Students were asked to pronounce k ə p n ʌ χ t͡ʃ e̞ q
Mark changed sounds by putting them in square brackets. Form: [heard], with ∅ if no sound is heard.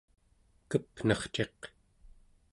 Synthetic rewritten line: k ə p n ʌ χ t͡ʃ e̞ q